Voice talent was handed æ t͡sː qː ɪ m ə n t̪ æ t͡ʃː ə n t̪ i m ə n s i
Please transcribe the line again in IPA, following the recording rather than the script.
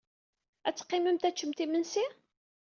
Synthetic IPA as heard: æ t͡sː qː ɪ m ə m t̪ æ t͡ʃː ə m t̪ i m ə n s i